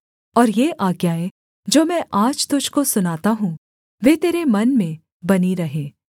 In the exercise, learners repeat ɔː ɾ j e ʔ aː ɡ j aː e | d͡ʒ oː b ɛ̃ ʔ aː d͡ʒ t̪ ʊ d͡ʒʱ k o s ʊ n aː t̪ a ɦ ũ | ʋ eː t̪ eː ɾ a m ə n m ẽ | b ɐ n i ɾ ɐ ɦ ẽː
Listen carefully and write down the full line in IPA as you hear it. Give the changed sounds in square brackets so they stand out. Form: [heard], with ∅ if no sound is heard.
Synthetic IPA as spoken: ɔː ɾ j e ʔ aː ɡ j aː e | d͡ʒ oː [m] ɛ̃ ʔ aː d͡ʒ t̪ ʊ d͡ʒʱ k o s ʊ n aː t̪ a ɦ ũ | ʋ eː t̪ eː ɾ [e] m [ɐ] n m ẽ | b ɐ n i ɾ ɐ ɦ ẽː